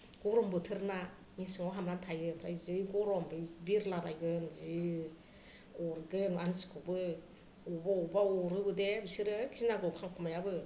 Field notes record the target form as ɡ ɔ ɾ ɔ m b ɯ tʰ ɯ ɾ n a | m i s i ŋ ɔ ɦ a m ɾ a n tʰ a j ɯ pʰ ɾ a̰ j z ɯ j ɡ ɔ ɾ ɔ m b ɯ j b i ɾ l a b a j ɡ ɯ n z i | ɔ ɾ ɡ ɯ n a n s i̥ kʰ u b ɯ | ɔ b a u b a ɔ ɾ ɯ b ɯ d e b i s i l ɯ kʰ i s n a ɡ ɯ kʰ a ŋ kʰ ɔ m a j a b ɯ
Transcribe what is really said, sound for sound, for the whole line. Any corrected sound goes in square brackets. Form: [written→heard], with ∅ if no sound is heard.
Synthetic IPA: ɡ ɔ ɾ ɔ m b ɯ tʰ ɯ ɾ n a | m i s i ŋ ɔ ɦ a m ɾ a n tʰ a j ɯ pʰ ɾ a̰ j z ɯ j ɡ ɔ ɾ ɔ m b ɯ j b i ɾ l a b a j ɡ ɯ n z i | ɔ ɾ ɡ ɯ n a n s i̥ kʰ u b ɯ | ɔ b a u b a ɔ ɾ ɯ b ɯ d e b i s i [l→ɾ] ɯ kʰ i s n a ɡ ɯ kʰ a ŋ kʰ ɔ m a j a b ɯ